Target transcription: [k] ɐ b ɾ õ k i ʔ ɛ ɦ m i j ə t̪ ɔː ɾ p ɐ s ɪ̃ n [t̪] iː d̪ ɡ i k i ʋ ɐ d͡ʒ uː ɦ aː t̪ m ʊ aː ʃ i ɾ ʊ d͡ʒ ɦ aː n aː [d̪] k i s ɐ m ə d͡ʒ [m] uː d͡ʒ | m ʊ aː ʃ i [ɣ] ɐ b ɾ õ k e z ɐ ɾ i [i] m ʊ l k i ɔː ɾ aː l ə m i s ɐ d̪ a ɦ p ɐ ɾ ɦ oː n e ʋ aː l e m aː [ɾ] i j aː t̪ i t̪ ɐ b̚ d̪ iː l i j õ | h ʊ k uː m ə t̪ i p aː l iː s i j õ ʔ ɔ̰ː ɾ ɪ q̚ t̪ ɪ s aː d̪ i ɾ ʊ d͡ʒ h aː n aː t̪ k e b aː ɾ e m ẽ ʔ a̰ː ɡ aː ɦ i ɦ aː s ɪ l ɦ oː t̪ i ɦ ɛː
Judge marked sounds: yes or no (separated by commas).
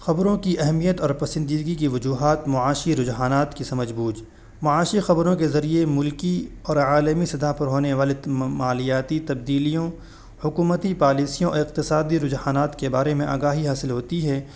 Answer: no, no, no, no, no, no, no